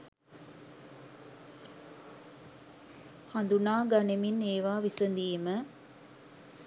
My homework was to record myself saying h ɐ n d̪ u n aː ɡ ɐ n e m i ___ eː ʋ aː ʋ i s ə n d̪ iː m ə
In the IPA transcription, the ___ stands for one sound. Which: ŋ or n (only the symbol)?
n